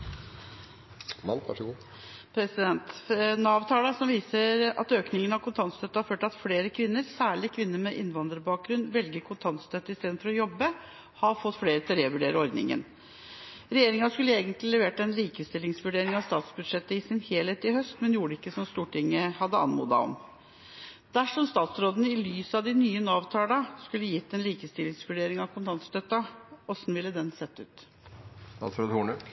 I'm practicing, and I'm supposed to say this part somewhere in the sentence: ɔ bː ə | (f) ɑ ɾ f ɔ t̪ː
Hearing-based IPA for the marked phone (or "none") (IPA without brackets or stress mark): h